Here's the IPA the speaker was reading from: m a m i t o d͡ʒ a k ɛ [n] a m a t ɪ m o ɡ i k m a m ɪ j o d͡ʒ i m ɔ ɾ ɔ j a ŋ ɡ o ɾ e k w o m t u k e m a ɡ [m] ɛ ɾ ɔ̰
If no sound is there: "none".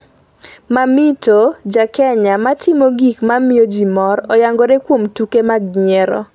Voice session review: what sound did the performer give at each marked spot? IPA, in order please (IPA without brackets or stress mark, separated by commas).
ɲ, ɲ